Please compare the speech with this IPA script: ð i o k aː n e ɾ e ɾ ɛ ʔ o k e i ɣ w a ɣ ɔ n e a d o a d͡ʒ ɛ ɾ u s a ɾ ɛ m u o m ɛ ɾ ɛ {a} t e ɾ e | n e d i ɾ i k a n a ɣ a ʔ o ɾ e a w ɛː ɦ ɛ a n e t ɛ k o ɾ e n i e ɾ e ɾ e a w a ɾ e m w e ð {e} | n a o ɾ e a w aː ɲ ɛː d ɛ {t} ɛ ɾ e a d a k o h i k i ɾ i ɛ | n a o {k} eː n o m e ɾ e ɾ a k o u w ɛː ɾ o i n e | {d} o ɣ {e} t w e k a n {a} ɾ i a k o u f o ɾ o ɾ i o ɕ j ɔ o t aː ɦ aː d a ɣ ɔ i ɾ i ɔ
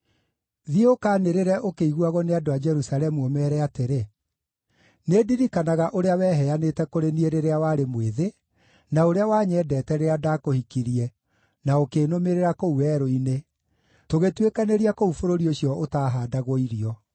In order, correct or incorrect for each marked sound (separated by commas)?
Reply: correct, correct, correct, correct, incorrect, correct, incorrect